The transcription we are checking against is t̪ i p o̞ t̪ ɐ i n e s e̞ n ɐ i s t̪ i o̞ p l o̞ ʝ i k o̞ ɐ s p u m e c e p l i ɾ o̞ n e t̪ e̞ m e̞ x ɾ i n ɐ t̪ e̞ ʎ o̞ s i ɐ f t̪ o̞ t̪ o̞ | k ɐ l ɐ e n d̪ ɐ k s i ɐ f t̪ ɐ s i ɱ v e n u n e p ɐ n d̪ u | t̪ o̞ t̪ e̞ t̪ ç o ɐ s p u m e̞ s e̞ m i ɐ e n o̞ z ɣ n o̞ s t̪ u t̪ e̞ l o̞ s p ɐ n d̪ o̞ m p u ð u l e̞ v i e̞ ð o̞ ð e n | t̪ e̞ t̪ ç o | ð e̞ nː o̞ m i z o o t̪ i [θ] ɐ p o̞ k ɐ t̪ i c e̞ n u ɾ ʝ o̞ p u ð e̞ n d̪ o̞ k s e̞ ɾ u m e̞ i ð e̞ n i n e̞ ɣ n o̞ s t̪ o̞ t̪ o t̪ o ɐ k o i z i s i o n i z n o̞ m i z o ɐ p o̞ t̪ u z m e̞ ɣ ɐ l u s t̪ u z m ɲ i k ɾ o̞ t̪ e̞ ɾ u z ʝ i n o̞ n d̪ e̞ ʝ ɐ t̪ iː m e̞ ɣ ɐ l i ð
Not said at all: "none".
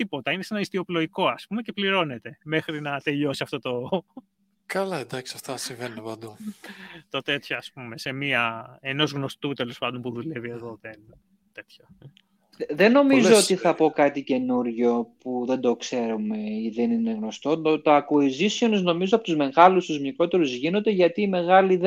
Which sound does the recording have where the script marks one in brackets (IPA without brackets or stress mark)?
θ